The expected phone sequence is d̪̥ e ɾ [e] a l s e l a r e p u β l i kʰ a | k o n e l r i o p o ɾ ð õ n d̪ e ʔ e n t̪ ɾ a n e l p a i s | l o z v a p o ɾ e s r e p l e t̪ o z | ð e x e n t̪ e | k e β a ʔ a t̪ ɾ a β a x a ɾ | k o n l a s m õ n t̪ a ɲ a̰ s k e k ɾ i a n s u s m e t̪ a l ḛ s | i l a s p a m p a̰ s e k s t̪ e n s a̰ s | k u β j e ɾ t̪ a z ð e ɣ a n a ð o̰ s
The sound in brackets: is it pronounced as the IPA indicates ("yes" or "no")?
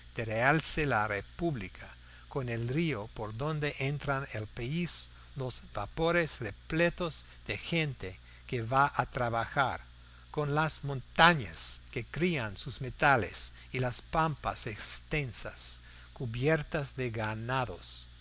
yes